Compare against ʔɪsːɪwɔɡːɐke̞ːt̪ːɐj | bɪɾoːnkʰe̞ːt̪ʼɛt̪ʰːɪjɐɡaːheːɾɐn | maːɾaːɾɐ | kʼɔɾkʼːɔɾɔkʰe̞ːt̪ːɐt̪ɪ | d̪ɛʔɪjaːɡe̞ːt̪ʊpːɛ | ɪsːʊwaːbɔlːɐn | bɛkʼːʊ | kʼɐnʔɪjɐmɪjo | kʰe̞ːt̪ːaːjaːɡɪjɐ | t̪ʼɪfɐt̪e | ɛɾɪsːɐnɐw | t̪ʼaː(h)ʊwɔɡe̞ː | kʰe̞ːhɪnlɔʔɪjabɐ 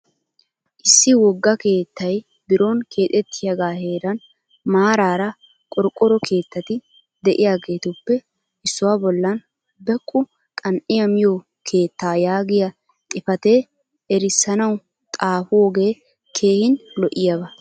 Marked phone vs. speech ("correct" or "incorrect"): incorrect